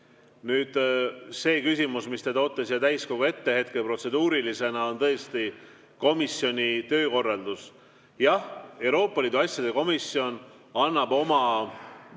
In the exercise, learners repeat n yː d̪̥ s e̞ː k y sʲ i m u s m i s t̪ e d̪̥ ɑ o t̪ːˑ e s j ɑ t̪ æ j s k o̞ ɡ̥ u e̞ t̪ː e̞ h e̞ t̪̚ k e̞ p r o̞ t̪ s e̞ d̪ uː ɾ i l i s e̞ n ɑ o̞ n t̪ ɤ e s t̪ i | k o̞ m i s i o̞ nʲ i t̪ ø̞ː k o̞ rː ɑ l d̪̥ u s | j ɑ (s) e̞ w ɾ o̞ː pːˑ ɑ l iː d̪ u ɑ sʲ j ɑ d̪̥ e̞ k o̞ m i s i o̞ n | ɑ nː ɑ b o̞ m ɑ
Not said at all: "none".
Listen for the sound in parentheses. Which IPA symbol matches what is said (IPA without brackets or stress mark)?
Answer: h